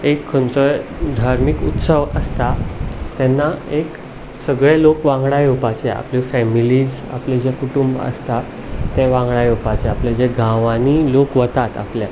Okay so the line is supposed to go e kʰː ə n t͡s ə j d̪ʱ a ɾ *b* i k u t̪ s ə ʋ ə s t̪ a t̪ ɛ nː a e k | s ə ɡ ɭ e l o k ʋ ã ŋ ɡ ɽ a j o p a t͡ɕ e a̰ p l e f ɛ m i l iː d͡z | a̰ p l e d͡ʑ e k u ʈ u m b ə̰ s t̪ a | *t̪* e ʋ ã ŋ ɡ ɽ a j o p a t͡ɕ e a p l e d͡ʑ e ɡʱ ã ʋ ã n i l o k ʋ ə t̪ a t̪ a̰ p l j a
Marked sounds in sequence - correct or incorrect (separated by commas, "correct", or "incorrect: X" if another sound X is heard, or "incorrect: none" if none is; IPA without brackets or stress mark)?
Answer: incorrect: m, correct